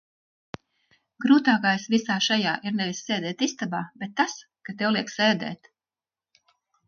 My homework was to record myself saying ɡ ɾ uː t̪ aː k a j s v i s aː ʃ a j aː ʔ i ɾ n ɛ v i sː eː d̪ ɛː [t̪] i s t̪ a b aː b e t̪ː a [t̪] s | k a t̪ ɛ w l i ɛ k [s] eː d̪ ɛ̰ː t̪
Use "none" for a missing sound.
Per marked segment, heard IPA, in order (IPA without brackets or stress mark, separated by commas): t̪, none, s